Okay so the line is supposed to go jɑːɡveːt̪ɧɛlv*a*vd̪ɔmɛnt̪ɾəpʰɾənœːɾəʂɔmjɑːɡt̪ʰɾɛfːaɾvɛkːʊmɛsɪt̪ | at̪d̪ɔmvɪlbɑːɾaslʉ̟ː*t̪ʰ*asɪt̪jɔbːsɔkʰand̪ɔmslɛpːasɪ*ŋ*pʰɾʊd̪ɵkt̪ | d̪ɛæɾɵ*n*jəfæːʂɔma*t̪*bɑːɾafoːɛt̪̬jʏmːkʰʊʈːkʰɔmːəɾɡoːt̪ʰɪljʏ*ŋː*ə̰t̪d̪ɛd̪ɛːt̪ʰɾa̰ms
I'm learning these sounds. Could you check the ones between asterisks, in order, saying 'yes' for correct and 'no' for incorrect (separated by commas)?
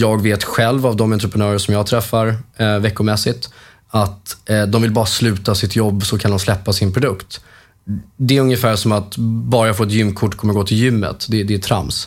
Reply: yes, no, no, no, yes, no